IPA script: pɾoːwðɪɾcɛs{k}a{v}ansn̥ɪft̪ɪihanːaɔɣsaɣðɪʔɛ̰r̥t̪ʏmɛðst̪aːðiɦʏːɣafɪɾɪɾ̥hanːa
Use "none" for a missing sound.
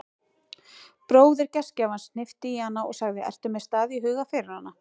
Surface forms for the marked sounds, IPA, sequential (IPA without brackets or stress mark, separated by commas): c, v